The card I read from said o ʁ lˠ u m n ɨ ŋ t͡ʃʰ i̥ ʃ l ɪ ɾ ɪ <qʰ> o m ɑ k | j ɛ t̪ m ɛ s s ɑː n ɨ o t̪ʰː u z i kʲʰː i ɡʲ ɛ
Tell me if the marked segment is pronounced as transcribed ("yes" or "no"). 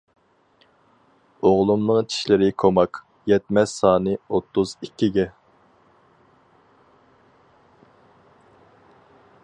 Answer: no